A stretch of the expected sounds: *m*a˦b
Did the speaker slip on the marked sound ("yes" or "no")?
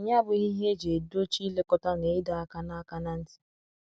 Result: yes